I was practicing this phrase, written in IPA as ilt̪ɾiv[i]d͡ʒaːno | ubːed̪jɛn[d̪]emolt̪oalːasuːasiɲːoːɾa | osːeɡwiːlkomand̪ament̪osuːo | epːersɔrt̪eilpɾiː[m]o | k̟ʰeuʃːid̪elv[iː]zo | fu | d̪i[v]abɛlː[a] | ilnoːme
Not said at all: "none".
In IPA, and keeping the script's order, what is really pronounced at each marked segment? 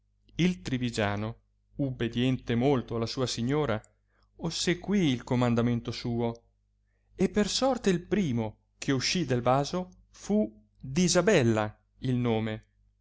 i, t̪, m, aː, z, a

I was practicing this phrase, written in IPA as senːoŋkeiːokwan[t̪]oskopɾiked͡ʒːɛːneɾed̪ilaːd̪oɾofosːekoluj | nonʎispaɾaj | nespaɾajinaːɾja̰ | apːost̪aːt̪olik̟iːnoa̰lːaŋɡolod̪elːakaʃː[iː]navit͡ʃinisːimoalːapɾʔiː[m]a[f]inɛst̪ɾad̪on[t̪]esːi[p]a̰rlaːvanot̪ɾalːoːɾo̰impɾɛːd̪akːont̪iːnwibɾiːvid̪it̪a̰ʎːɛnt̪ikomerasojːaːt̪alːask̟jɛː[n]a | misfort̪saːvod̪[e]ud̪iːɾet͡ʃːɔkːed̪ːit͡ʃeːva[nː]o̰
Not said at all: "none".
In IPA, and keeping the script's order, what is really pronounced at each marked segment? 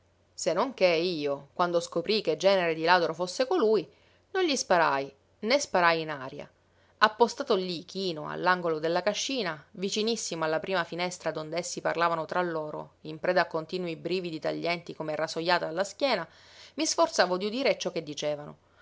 d̪, iː, m, f, d̪, p, n, i, n

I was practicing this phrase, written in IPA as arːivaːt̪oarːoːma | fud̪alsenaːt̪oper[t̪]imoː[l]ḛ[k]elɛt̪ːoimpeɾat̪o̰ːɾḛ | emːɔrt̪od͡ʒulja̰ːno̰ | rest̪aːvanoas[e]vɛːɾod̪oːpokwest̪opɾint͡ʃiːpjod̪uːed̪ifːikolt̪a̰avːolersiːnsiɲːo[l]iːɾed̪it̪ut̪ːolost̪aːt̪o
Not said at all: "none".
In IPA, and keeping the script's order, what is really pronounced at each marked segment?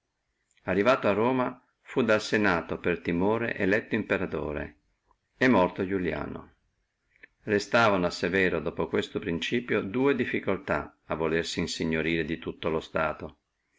t̪, ɾ, ʔ, e, ɾ

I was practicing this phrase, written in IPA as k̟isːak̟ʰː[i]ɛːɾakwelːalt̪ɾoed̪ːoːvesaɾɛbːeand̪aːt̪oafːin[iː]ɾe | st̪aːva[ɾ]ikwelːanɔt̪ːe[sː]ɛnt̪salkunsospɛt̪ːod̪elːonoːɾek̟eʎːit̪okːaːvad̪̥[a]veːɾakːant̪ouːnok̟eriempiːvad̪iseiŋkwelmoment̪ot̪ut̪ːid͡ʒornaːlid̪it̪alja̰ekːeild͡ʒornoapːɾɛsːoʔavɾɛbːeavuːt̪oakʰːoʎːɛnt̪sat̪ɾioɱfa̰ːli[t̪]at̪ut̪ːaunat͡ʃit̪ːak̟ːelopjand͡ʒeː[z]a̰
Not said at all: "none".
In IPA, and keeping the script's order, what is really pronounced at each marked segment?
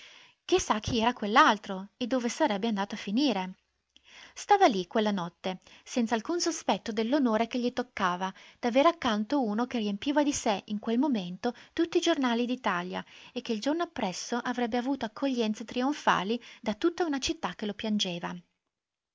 i, iː, l, s, a, d̪, v

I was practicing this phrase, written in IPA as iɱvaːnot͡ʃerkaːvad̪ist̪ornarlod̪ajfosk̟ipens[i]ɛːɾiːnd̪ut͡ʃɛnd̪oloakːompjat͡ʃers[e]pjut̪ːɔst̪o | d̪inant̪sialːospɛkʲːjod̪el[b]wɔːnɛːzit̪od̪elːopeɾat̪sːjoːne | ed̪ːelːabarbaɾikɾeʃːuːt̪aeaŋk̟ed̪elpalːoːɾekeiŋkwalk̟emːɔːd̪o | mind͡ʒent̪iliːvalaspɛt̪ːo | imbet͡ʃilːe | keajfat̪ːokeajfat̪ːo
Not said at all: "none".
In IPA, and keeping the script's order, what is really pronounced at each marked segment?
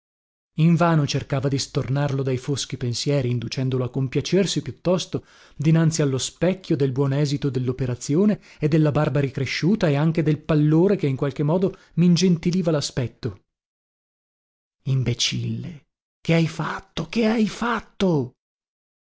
j, i, b

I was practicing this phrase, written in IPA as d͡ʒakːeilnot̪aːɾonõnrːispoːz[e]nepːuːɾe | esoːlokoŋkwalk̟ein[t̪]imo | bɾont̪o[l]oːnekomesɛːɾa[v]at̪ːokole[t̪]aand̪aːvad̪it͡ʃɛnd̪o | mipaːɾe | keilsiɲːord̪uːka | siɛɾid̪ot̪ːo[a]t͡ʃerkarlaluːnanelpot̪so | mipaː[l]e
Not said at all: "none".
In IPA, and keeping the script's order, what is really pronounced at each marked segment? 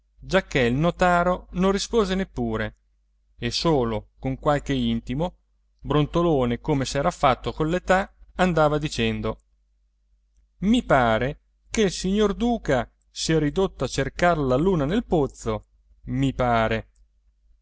e, t̪, l, f, t̪, a, ɾ

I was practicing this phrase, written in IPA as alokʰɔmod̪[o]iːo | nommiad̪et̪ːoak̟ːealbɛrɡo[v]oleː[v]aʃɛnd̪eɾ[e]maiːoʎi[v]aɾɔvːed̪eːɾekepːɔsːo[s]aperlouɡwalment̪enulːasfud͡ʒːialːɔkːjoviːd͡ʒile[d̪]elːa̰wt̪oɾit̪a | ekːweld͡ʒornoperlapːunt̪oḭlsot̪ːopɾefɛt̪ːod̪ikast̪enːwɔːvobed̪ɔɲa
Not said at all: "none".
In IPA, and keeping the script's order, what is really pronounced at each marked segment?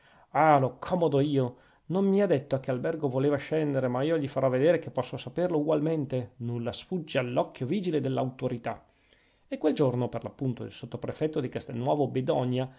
o, v, v, e, f, s, d̪

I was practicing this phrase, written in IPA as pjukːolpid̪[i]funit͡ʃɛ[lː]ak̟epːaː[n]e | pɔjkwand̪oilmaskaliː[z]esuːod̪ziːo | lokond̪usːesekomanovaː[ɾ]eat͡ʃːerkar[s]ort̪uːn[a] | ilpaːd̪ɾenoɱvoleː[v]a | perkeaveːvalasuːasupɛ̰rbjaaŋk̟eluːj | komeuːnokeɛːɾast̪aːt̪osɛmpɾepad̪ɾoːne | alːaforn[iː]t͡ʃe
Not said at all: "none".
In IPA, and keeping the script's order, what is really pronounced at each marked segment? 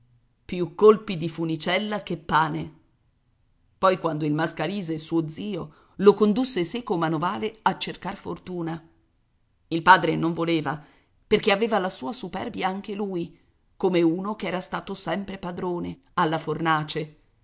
i, lː, n, z, l, f, a, v, aː

